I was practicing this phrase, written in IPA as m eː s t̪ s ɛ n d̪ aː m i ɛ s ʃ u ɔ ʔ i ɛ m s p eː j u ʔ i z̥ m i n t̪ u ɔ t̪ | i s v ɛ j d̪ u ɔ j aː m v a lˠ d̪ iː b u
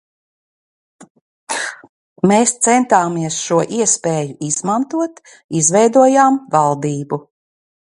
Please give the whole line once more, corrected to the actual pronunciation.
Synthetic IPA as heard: m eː s t̪ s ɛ n t̪ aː m i ɛ s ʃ u ɔ ʔ i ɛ s p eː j u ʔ i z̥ m a n t̪ u ɔ t̪ | i z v ɛ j d̪ u ɔ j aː m v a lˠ d̪ iː b u